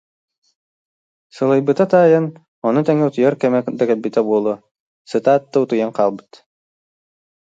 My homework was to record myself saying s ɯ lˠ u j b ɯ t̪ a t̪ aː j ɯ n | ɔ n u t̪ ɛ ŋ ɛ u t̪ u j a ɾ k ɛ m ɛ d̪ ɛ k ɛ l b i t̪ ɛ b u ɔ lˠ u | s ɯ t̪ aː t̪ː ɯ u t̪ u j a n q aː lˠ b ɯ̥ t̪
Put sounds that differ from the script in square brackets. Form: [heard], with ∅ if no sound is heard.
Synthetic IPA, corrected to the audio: s ɯ lˠ [ɯ] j b ɯ t̪ a t̪ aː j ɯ n | ɔ n u t̪ ɛ ŋ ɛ u t̪ u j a ɾ k ɛ m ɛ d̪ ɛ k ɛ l b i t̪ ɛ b u ɔ lˠ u | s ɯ t̪ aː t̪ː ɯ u t̪ u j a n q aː lˠ b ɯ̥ t̪